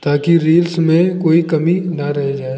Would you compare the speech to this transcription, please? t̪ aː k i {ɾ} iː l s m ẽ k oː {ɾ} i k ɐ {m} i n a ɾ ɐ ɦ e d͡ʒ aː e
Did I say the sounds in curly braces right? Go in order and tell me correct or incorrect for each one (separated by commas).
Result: correct, incorrect, correct